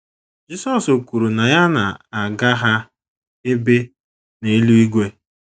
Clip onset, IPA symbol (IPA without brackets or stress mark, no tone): d͡ʒ